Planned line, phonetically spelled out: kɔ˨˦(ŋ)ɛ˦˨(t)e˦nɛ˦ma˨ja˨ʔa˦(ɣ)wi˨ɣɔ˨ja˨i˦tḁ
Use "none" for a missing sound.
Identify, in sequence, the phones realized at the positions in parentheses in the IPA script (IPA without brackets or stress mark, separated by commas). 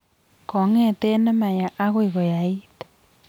ŋ, t, ɣ